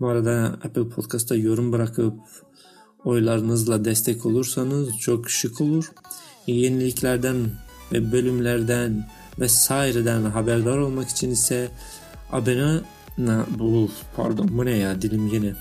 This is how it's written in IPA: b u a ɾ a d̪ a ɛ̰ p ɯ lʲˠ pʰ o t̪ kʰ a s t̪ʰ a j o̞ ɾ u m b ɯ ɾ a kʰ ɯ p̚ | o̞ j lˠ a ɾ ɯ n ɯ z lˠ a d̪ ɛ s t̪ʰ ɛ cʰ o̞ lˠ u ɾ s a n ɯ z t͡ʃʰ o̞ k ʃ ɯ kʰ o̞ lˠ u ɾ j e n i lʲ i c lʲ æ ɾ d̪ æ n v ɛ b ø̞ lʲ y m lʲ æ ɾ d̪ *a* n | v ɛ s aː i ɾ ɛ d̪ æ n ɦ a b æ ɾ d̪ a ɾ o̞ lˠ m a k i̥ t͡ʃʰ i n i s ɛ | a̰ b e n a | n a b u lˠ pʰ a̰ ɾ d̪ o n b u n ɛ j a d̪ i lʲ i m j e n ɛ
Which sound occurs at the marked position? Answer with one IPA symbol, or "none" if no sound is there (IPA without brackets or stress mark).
æ